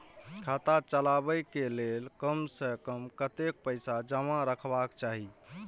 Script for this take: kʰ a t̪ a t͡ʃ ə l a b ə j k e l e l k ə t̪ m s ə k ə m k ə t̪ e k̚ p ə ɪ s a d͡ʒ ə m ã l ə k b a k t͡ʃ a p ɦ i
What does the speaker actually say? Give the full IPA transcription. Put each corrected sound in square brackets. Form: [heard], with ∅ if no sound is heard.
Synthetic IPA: kʰ a t̪ a t͡ʃ ə l a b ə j k e l e l k ə [∅] m s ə k ə m k ə t̪ e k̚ p ə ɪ s a d͡ʒ ə m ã [ɾ] ə [kʰ] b a k t͡ʃ a [∅] ɦ i